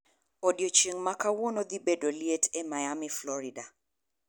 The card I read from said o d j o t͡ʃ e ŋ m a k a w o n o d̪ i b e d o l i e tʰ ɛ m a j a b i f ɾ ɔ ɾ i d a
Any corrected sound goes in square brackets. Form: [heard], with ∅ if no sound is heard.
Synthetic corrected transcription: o d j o t͡ʃ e ŋ m a k a w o n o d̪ i b e d o l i e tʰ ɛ m a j a [m] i f [l] ɔ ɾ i d a